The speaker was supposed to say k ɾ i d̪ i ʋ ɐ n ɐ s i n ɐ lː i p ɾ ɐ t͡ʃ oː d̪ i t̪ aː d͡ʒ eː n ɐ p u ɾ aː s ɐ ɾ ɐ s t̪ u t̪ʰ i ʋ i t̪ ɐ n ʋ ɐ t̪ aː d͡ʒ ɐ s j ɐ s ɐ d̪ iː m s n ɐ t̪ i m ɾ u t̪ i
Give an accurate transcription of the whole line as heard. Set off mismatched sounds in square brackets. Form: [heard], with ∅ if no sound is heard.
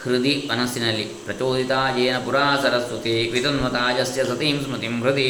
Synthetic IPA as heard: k ɾ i d̪ i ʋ ɐ n ɐ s i n ɐ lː i p ɾ ɐ t͡ʃ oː d̪ i t̪ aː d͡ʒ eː n ɐ p u ɾ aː s ɐ ɾ ɐ s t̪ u [t̪] i ʋ i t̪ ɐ n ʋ ɐ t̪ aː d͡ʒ ɐ s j ɐ s ɐ [t̪] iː m s [m] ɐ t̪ i m ɾ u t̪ i